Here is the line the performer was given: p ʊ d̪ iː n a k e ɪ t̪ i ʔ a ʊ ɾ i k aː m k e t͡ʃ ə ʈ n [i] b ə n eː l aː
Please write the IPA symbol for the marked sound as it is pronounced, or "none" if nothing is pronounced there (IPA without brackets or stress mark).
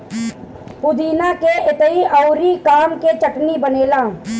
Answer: i